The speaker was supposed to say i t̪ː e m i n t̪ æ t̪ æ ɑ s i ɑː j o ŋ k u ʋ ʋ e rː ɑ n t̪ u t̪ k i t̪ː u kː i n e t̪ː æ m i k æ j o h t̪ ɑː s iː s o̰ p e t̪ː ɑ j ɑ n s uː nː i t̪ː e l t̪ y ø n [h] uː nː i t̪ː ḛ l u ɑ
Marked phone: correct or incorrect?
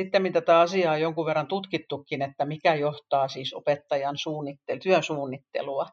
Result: incorrect